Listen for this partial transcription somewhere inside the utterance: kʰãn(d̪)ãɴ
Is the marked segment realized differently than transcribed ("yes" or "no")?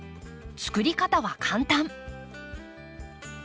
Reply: yes